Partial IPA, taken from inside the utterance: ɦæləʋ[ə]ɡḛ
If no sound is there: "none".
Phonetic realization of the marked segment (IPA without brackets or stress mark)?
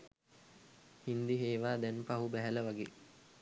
a